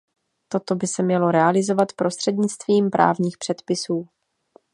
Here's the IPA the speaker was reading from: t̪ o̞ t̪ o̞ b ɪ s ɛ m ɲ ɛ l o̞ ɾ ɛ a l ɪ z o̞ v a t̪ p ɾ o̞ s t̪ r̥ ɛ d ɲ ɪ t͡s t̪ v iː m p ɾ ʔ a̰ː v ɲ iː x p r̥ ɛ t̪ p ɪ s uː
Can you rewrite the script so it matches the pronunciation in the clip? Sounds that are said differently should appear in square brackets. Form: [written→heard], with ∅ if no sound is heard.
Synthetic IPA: t̪ o̞ t̪ o̞ b ɪ s ɛ m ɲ ɛ l o̞ ɾ ɛ a l ɪ z o̞ v a t̪ p ɾ o̞ s t̪ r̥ ɛ d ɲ ɪ t͡s t̪ v iː m p ɾ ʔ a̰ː v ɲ iː x p r̥ ɛ t̪ p ɪ s uː